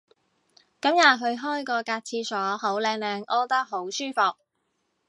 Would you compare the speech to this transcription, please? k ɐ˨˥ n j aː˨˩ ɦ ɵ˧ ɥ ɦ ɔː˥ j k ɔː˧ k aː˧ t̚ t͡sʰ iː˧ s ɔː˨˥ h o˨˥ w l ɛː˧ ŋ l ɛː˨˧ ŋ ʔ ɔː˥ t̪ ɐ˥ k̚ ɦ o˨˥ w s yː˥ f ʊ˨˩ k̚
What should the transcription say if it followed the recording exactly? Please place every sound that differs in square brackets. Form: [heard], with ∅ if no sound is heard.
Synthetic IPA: k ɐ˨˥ [m] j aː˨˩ ɦ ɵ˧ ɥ ɦ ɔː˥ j k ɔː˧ k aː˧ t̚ t͡sʰ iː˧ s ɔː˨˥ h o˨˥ w l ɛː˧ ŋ l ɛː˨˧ ŋ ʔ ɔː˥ t̪ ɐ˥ k̚ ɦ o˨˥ w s yː˥ f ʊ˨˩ k̚